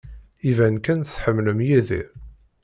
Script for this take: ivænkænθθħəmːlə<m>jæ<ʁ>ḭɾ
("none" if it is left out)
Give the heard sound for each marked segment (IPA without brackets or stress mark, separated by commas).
m, ð